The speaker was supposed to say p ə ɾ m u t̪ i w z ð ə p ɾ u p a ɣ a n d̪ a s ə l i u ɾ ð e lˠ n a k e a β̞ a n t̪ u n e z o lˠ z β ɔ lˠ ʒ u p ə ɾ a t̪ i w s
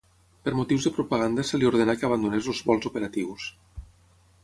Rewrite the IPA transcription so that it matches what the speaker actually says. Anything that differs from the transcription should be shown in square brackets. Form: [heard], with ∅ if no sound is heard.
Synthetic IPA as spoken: p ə ɾ m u t̪ i w z ð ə p ɾ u p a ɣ a n d̪ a s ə l i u ɾ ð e [∅] n a k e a β̞ a n [d̪] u n e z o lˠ z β ɔ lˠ [z] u p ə ɾ a t̪ i w s